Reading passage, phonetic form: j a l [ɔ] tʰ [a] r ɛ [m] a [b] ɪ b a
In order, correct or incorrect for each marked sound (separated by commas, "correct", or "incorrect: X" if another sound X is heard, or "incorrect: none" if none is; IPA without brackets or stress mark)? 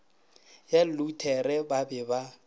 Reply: incorrect: u, incorrect: ɛ, incorrect: b, correct